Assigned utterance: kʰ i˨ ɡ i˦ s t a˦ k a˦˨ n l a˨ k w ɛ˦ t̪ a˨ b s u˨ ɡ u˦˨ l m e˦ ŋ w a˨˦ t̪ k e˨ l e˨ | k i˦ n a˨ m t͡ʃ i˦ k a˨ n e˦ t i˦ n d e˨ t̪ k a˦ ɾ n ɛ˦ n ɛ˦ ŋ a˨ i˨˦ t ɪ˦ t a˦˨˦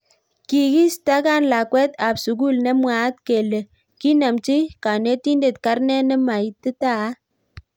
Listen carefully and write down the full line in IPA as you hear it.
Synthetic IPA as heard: k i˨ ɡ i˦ s t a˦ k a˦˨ n l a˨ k w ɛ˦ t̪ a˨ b s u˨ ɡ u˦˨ l n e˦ m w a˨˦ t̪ k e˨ l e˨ | k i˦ n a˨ m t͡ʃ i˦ k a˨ n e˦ t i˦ n d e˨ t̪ k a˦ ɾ n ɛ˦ n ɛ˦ m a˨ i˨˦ t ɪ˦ t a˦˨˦